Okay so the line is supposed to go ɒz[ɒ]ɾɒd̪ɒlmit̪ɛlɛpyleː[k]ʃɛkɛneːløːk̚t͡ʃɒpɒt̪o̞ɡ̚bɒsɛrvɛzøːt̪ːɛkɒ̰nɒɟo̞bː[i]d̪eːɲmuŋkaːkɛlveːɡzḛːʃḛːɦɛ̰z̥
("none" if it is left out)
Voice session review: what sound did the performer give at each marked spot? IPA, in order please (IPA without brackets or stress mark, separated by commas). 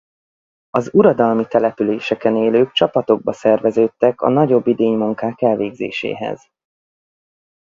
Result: u, none, i